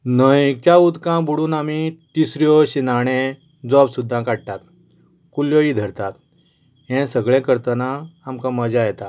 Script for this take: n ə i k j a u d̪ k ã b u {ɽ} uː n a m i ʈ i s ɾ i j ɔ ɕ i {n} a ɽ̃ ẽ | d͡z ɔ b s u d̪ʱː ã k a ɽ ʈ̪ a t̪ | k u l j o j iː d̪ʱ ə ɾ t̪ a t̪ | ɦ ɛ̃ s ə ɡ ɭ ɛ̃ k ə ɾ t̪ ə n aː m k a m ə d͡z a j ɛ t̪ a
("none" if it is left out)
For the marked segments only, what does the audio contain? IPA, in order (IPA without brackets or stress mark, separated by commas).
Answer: ɽ, n